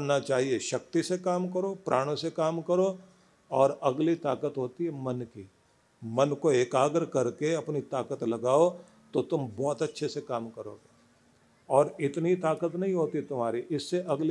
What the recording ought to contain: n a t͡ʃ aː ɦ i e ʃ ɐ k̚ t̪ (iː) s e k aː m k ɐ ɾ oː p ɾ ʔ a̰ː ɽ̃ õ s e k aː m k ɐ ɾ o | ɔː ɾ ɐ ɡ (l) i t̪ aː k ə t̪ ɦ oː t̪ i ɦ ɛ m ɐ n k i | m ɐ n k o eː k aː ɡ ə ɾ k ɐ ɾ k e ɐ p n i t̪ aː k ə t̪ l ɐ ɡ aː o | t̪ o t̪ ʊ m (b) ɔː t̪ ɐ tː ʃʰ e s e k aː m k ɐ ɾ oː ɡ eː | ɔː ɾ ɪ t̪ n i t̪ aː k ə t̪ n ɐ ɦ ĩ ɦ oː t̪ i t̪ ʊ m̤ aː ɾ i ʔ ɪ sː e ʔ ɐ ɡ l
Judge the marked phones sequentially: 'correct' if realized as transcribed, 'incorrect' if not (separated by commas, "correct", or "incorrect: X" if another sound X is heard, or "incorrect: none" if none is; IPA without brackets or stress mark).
incorrect: i, correct, correct